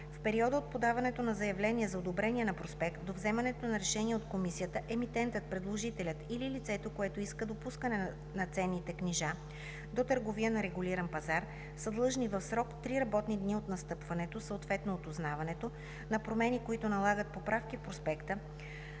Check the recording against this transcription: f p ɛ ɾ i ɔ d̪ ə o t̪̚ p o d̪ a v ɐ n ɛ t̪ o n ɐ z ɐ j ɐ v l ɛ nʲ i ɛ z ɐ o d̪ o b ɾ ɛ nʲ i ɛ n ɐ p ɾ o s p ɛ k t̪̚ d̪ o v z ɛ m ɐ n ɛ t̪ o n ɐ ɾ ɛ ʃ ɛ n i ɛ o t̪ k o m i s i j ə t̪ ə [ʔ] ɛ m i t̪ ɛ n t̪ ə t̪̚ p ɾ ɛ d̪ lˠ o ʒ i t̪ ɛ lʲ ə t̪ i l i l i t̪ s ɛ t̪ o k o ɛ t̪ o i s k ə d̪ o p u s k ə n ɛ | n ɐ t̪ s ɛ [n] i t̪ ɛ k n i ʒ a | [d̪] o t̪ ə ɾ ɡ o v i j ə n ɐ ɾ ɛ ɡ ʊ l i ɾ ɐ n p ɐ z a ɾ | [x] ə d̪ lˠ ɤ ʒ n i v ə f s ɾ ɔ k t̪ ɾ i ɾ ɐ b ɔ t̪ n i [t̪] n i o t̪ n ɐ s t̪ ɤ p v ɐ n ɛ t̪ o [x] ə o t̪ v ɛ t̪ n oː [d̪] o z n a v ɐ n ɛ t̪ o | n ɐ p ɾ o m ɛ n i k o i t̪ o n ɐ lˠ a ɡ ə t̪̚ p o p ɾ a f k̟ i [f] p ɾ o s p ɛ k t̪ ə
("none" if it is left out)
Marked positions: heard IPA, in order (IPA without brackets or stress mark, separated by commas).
ʔ, nː, d̪, s, d̪, s, t̪, f